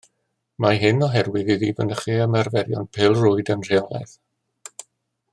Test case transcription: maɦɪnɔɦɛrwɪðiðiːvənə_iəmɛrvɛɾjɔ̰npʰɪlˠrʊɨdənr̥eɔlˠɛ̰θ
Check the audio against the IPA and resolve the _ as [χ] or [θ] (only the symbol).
χ